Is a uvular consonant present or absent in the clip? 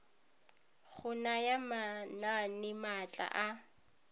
absent